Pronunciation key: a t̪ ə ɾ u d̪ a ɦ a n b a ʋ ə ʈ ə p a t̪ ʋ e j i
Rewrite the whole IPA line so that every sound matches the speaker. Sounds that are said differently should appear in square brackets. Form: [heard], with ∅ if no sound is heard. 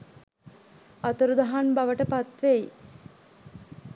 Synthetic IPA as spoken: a t̪ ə ɾ u d̪ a ɦ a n b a ʋ ə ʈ ə p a t̪ ʋ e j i